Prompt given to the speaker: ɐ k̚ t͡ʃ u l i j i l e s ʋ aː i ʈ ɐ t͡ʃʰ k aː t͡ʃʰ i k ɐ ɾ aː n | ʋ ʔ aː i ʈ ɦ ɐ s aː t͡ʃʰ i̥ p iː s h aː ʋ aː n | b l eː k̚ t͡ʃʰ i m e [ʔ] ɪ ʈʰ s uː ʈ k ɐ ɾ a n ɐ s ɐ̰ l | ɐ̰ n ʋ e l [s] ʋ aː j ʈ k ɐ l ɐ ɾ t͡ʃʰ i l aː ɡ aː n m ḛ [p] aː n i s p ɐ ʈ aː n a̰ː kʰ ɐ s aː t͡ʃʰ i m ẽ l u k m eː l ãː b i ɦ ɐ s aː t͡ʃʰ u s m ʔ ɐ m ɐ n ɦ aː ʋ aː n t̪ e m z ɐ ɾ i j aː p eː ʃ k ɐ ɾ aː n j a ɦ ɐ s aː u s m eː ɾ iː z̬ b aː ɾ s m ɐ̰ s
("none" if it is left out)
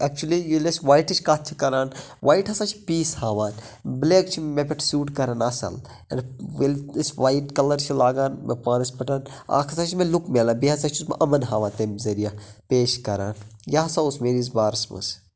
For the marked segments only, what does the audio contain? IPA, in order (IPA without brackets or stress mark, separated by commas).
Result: p, s, p